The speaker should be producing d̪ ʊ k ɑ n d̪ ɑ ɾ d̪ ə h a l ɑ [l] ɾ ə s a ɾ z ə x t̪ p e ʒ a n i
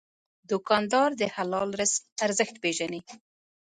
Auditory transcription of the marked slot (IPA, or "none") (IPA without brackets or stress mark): l